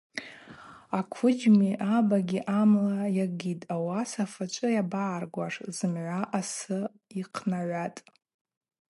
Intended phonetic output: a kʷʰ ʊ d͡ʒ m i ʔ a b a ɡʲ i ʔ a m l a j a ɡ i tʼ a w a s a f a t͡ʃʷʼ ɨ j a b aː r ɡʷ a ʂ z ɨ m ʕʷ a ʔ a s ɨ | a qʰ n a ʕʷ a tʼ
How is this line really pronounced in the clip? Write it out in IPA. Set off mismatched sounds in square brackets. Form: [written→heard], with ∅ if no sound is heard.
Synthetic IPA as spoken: a kʷʰ ʊ d͡ʒ m i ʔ a b a ɡʲ i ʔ a m l a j a ɡ i tʼ a w a s a f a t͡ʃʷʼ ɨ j a b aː r ɡʷ a ʂ z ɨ m ʕʷ a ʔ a s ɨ | [a→i] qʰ n a ʕʷ a tʼ